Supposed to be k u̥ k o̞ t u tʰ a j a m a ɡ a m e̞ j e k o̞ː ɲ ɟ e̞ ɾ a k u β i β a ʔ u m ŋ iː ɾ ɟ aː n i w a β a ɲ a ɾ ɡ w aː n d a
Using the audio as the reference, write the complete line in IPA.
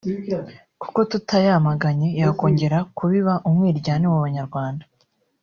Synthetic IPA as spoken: k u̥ k o̞ t u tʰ a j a m a ɡ a ɲ e̞ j a k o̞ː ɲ ɟ e̞ ɾ a k u β i β a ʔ u m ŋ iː ɾ ɟ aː n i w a β a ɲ a ɾ ɡ w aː n d a